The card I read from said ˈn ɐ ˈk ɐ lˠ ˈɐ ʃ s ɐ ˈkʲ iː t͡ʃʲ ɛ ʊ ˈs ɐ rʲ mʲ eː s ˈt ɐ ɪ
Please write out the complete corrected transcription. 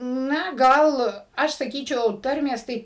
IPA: ˈn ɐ ˈɡ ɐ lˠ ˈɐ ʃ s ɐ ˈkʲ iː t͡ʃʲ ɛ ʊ ˈt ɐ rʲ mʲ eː s ˈt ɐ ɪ